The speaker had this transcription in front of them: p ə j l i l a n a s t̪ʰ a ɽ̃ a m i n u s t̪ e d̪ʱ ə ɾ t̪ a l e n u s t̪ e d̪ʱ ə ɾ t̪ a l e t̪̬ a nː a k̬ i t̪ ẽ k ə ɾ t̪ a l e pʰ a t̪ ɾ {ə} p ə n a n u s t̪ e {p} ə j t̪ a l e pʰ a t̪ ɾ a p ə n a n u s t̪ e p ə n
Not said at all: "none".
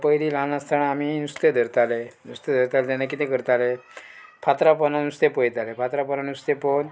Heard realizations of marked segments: a, p

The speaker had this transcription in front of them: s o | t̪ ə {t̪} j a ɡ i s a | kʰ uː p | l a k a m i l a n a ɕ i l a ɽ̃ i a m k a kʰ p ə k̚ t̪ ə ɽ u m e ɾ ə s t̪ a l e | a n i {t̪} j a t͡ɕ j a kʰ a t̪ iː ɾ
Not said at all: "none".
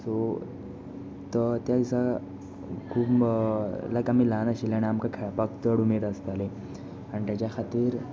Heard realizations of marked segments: t̪, t̪

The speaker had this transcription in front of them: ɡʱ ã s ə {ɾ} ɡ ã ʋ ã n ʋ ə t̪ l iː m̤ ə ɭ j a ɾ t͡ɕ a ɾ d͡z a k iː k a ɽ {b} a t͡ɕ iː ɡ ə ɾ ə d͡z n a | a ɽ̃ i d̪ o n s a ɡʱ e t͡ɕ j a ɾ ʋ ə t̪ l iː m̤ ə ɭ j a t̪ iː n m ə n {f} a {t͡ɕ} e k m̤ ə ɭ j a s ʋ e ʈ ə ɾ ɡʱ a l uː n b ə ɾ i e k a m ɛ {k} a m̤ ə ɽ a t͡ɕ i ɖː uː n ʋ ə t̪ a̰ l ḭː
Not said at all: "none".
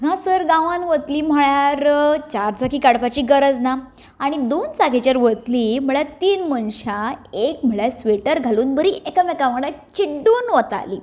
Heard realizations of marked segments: ɾ, p, ɕ, none, k

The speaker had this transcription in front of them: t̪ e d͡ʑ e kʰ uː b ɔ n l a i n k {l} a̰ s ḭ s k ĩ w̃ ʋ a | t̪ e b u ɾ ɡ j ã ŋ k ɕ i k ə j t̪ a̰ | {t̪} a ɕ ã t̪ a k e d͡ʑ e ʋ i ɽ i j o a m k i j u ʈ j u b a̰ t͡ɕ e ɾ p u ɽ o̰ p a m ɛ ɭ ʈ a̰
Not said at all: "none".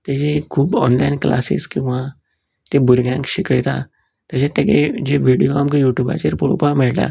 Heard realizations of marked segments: l, t̪

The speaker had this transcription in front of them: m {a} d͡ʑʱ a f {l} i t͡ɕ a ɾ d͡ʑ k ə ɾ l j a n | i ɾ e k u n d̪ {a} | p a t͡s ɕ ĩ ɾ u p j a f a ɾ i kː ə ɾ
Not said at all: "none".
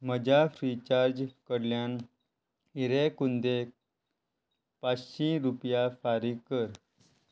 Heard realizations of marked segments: ə, ɾ, e

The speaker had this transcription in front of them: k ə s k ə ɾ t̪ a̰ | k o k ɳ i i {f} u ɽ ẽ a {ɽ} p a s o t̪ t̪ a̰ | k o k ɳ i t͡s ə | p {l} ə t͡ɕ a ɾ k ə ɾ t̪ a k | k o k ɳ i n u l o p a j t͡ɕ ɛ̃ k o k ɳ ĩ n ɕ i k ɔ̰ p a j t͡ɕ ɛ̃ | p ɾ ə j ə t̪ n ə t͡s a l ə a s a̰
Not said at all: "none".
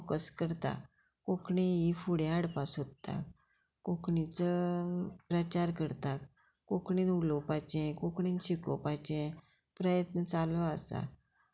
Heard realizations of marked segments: f, ɽ, ɾ

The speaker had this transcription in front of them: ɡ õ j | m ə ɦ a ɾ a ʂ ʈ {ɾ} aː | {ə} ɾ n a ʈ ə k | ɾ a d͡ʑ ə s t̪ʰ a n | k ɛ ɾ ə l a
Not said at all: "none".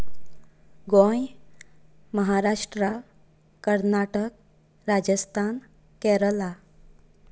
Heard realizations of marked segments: ɾ, ə

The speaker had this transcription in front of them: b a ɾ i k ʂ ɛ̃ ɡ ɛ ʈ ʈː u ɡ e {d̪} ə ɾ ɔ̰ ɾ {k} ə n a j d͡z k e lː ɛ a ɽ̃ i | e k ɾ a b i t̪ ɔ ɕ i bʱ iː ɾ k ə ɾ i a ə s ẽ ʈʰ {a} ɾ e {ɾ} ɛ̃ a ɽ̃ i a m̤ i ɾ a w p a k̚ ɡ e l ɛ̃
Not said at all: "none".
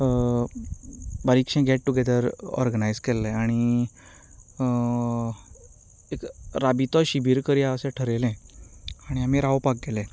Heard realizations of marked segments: d̪, ɡ, ə, l

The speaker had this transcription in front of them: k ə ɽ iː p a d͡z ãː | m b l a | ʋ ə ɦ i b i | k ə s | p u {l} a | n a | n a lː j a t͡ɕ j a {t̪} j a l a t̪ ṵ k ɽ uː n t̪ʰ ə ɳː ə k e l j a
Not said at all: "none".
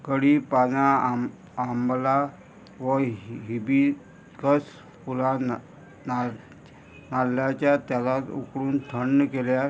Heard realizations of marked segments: l, t̪

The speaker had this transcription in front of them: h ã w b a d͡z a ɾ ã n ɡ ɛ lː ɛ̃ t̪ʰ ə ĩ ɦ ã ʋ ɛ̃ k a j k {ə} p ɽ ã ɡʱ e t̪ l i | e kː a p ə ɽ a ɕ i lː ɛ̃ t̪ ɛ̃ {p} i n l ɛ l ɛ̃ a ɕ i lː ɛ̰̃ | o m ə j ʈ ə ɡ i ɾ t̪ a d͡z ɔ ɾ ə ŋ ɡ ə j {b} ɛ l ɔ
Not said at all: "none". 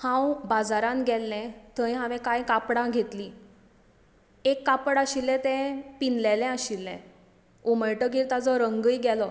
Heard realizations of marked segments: a, p, ɡ

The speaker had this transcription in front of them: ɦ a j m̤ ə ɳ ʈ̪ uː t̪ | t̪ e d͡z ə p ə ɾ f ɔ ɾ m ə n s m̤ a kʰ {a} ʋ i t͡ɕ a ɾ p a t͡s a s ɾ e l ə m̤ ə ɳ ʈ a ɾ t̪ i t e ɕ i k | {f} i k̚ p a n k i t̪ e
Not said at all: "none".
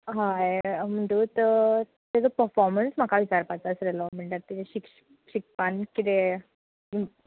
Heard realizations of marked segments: a, ɕ

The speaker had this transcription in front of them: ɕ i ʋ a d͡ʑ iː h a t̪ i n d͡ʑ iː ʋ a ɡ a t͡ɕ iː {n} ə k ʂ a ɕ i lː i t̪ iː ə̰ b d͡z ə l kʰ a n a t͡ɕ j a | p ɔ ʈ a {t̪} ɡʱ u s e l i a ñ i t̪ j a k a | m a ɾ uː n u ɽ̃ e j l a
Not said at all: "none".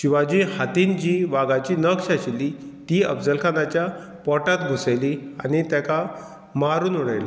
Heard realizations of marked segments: n, t̪

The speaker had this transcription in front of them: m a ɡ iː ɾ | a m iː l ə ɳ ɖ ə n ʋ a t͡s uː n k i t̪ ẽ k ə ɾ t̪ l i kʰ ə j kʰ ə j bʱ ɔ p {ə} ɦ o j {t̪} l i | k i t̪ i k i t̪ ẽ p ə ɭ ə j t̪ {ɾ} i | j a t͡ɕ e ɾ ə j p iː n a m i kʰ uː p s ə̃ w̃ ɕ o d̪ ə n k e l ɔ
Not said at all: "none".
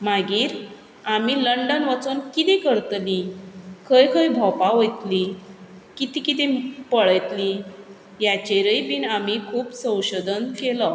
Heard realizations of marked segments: a, t̪, l

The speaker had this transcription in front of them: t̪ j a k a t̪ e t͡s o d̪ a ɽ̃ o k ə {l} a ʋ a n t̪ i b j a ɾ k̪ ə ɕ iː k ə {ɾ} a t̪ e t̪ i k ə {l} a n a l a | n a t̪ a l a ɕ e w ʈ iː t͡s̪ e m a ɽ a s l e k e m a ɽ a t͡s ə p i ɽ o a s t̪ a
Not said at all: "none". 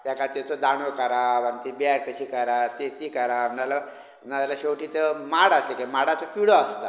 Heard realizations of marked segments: ɾ, ɾ, ɾ

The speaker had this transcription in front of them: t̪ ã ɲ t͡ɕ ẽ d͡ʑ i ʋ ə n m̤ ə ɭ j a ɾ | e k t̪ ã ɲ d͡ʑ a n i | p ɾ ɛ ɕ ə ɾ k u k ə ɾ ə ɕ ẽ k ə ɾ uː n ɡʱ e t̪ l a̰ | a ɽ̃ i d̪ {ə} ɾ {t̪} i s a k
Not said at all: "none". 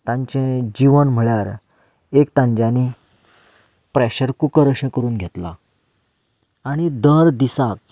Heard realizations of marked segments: ə, d̪

